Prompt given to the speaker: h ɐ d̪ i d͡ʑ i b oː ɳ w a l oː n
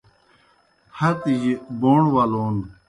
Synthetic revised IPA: h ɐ t̪ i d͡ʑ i b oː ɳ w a l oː n